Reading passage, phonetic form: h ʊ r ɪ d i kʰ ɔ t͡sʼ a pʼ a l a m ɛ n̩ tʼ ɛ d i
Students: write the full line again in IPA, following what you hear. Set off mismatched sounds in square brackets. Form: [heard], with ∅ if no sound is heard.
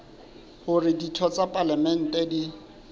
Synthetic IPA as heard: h ʊ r ɪ d i [tʰ] ɔ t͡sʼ a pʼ a l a m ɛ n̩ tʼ ɛ d i